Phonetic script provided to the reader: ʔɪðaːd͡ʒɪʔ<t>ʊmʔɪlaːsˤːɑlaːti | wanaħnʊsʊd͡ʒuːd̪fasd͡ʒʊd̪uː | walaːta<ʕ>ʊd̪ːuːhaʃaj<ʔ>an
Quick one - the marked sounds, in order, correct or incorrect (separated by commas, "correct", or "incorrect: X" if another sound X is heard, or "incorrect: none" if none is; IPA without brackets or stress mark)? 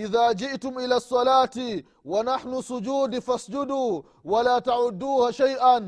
correct, correct, correct